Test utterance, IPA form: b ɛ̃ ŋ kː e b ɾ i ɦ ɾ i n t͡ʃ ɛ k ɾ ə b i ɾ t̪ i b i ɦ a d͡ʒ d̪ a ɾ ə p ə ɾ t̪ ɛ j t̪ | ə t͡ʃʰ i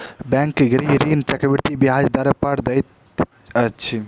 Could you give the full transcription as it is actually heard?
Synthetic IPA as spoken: b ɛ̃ ŋ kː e ɡ ɾ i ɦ ɾ i n t͡ʃ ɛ k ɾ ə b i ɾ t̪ i b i ɦ a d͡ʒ d̪ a ɾ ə p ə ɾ d̪ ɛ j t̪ | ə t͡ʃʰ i